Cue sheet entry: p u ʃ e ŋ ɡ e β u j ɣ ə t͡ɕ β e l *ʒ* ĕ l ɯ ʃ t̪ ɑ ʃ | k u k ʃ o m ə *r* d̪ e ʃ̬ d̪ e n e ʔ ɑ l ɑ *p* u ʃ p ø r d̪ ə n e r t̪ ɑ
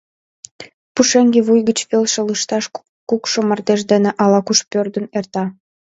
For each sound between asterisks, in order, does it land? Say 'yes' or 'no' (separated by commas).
no, yes, no